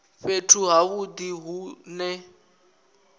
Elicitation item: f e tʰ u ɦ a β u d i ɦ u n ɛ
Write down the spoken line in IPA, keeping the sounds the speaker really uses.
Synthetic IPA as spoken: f e tʰ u ɦ a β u d i ɦ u n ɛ